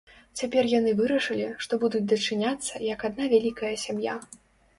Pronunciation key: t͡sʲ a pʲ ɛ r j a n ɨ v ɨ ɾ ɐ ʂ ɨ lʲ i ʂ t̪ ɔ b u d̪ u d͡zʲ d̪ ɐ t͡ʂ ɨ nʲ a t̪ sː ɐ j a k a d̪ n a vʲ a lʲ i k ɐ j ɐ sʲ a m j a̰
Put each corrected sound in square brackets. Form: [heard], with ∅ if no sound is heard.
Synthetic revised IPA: t͡sʲ a pʲ ɛ r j a n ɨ v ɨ ɾ ɐ ʂ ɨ lʲ i ʂ t̪ ɔ b u d̪ u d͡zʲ d̪ ɐ t͡ʂ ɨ nʲ a t̪ sː ɐ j [ɐ] k a d̪ n a vʲ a lʲ i k ɐ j ɐ sʲ a m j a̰